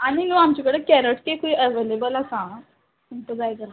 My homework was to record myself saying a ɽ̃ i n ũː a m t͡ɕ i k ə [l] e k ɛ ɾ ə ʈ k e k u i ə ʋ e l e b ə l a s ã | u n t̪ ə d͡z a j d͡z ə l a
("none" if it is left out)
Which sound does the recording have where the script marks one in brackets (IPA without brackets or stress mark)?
ɽ